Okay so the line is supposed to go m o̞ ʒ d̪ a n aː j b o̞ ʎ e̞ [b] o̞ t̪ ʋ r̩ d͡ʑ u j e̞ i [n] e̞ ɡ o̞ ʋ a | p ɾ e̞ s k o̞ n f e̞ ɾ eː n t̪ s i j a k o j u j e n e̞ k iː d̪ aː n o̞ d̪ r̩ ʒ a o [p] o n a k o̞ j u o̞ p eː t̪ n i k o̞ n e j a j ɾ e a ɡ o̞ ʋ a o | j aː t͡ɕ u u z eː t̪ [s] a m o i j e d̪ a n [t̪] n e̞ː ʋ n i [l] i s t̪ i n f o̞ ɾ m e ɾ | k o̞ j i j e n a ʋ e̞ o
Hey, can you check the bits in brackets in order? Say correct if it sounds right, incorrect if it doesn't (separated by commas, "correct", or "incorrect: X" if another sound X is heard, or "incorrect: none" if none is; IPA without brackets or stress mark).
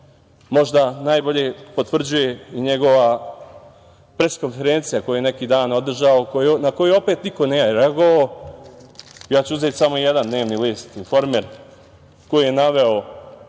incorrect: p, incorrect: ɲ, incorrect: k, correct, incorrect: d̪, correct